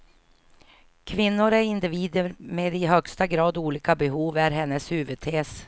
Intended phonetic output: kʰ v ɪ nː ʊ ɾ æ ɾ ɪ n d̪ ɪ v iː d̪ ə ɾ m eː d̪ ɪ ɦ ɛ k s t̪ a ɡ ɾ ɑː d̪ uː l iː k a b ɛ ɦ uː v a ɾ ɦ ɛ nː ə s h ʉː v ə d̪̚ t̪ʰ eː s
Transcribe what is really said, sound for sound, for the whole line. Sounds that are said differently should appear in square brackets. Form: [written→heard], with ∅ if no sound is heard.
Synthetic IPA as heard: kʰ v ɪ nː ʊ ɾ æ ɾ ɪ n d̪ ɪ v iː d̪ ə ɾ m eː d̪ ɪ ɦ [ɛ→œ] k s t̪ a ɡ ɾ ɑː d̪ uː l iː k a b ɛ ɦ uː v [a→æ] ɾ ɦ ɛ nː ə s h ʉː v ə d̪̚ t̪ʰ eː s